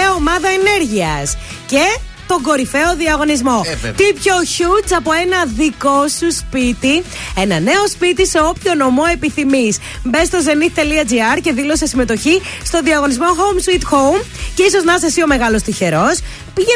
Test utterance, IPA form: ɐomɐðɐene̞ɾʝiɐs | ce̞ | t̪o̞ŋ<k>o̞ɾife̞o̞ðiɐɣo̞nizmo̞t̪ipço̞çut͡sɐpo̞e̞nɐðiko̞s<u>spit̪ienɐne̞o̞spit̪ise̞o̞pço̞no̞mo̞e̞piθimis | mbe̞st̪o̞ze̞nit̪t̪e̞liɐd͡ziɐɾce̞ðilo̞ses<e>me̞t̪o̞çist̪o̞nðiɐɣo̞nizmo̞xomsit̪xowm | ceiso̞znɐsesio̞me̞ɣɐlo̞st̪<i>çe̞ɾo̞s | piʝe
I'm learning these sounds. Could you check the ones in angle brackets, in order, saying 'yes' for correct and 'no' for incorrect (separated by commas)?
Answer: no, yes, no, yes